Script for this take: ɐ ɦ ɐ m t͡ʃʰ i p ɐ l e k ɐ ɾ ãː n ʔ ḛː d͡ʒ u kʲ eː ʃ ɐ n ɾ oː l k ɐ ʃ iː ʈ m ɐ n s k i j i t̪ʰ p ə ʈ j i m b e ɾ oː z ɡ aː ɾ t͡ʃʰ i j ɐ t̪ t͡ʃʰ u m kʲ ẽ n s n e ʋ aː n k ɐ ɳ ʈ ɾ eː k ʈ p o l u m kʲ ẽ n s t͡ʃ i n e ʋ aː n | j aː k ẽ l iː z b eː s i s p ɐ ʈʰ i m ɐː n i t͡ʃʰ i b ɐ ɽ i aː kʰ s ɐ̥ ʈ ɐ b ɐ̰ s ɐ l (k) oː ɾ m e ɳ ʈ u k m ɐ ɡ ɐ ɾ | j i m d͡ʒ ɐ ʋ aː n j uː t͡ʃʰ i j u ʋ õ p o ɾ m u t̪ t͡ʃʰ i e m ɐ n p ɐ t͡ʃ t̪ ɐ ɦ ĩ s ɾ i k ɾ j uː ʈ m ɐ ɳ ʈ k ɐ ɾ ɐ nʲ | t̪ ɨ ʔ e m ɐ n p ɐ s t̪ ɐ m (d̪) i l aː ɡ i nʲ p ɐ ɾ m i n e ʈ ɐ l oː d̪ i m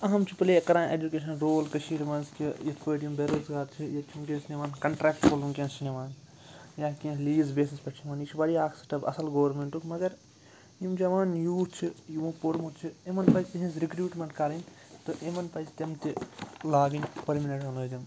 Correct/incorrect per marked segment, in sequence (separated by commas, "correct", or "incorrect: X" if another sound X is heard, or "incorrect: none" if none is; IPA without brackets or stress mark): incorrect: ɡ, incorrect: t̪